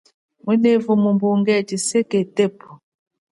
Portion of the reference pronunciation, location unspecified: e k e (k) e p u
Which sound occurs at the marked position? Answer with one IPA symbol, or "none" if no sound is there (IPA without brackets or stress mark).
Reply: t